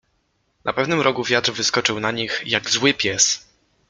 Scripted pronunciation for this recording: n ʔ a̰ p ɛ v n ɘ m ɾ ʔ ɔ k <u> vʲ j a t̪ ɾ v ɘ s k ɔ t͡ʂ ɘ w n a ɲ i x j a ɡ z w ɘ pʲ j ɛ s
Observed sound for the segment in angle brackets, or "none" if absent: u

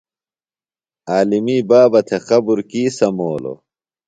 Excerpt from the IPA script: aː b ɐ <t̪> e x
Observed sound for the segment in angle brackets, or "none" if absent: t̪ʰ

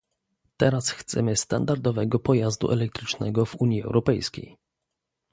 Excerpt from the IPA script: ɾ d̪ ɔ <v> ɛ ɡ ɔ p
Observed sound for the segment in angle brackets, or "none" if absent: v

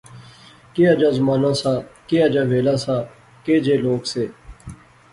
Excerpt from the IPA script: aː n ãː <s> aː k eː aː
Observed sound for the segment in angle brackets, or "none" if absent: s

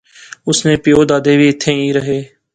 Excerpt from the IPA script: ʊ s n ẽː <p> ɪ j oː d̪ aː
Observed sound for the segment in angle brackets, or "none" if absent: p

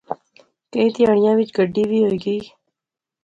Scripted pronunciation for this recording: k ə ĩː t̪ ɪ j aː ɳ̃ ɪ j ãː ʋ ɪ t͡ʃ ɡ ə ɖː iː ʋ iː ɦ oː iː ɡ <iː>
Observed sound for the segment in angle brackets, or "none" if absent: iː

